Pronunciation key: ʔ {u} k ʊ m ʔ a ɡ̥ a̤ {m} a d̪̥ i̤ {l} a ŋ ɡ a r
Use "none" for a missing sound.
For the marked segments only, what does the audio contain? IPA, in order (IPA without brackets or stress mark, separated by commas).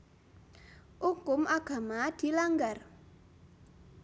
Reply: u, m, l